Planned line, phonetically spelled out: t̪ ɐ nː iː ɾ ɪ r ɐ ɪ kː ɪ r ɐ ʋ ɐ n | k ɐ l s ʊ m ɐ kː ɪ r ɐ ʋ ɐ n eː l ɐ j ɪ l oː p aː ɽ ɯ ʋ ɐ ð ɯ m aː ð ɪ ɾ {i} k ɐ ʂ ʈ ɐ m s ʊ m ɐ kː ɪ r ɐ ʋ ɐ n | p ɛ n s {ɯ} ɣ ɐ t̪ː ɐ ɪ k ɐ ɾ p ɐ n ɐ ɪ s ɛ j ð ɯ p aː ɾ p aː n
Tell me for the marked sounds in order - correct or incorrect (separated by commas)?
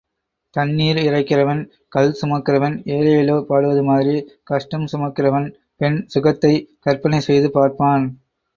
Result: correct, incorrect